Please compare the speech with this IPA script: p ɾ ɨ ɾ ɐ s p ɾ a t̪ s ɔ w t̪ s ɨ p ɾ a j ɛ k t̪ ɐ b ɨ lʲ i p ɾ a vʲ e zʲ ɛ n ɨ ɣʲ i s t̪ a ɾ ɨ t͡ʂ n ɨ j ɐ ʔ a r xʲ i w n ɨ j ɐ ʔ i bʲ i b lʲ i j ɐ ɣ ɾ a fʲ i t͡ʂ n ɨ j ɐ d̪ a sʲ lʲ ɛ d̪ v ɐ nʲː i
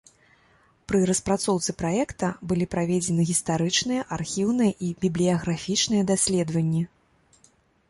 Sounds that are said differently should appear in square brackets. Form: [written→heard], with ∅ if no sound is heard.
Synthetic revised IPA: p ɾ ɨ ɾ ɐ s p ɾ a t̪ s ɔ w t̪ s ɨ p ɾ a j ɛ k t̪ ɐ b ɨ lʲ i p ɾ a vʲ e [zʲ→d͡zʲ] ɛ n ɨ ɣʲ i s t̪ a ɾ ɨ t͡ʂ n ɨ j ɐ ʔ a r xʲ i w n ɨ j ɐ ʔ i bʲ i b lʲ i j ɐ ɣ ɾ a fʲ i t͡ʂ n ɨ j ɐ d̪ a sʲ lʲ ɛ d̪ v ɐ nʲː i